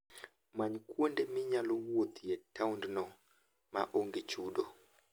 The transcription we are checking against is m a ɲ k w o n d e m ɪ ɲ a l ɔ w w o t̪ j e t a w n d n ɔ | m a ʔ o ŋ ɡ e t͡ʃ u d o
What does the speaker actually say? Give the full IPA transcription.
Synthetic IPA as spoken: m a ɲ k w o n d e m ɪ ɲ a l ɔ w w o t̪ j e t a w n d n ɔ | m a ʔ o ŋ ɡ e t͡ʃ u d o